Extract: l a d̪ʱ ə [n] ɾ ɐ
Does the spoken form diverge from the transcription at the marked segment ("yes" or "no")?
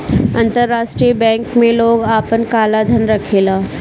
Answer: no